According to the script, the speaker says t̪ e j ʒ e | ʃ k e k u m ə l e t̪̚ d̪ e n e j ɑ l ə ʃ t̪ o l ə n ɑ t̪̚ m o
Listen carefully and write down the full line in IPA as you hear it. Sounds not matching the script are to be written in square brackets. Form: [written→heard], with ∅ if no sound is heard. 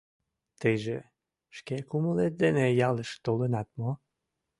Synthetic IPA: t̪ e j ʒ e | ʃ k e k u m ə l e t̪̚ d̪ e n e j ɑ l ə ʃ t̪ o l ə n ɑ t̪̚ m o